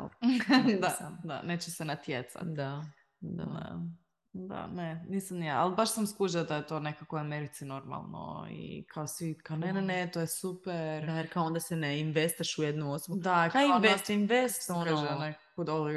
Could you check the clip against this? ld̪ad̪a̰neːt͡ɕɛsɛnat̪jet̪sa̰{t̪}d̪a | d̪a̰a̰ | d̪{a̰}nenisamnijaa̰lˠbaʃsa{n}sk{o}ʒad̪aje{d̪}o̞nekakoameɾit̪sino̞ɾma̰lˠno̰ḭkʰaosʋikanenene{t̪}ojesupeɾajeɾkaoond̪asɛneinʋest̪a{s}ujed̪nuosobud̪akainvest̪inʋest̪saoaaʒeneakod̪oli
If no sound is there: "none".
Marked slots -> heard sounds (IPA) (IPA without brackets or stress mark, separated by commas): t̪, a̰, m, u, t̪, t̪, ʃ